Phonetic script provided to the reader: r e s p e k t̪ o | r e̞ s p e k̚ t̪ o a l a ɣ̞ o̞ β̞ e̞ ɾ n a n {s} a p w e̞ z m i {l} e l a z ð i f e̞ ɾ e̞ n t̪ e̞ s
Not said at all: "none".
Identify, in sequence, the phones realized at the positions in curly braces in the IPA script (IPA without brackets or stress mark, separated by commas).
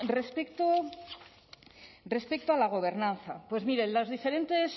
θ, ɾ